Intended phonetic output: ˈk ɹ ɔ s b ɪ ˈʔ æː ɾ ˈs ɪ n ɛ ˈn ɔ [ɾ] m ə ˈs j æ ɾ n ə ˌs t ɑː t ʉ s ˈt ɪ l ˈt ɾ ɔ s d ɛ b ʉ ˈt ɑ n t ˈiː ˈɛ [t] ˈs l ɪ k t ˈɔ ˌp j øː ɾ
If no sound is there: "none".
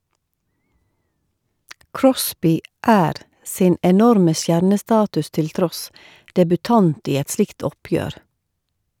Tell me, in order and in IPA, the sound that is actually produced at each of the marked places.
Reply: ɾ, t

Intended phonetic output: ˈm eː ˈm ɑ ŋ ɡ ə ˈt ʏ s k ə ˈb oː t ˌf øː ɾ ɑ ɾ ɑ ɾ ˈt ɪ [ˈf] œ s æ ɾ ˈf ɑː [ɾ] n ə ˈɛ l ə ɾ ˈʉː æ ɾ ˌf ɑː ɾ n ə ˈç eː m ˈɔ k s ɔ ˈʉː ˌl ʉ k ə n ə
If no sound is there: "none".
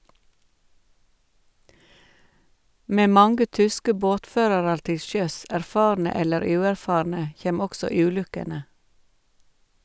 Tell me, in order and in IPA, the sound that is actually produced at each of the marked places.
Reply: ʃ, ɾ

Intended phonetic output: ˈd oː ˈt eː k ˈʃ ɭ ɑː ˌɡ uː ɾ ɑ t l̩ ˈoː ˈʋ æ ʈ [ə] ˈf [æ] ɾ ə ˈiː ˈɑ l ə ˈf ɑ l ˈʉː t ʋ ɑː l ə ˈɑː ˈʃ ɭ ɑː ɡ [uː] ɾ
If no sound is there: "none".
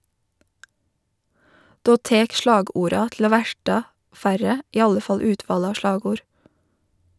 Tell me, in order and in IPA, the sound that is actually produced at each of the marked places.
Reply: ɑ, æ, uː

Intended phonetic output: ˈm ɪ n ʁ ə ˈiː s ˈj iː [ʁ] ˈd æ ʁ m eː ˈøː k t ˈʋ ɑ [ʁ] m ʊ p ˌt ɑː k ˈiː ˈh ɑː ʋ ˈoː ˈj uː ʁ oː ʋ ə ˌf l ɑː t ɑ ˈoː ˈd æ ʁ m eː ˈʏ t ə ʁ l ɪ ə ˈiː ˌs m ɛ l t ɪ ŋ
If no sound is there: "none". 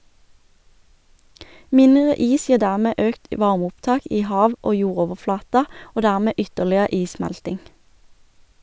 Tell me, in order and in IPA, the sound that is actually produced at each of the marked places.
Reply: ʁ, ʁ

